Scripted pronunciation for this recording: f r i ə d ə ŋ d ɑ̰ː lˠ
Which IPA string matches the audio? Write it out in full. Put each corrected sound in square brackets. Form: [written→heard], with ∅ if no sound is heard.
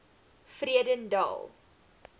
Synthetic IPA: f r i ə d ə [ŋ→n] d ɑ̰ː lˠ

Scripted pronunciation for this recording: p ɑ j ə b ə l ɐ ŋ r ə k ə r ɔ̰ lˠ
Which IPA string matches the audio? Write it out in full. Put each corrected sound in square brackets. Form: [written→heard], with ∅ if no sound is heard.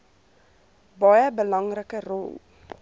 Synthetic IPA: [p→b] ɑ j ə b ə l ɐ ŋ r ə k ə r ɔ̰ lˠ

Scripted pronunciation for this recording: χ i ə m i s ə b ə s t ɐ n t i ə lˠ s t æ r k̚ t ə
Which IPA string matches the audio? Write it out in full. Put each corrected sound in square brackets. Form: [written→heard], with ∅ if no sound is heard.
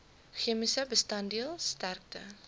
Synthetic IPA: χ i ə m i s ə b ə s t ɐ n [t→d] i ə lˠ s t æ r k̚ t ə

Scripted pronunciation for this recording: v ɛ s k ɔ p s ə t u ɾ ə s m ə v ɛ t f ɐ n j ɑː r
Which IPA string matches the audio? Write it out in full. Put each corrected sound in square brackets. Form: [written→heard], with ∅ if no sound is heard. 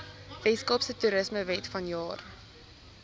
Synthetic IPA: v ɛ s k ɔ p s ə t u ɾ ə s m ə v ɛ t f ɐ n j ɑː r

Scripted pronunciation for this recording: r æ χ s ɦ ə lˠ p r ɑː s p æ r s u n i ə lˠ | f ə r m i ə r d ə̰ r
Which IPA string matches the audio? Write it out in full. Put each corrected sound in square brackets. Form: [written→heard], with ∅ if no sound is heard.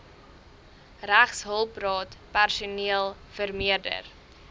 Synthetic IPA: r æ χ s ɦ ə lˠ p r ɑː [s→t] p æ r s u n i ə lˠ | f ə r m i ə r d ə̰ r

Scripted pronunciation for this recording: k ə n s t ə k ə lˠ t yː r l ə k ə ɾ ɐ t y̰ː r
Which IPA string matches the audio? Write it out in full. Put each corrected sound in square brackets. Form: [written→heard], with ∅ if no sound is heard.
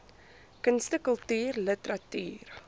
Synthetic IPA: k ə n s t ə k ə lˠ t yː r l ə [k→t] ə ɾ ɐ t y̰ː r

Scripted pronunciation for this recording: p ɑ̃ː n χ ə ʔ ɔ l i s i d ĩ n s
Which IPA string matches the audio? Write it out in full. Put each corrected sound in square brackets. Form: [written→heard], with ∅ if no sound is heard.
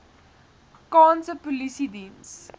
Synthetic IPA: [p→k] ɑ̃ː n [χ→s] ə [ʔ→p] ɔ l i s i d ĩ n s

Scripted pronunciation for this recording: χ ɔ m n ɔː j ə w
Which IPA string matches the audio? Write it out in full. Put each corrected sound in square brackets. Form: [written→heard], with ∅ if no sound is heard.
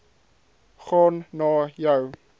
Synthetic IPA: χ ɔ [m→n] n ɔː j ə w

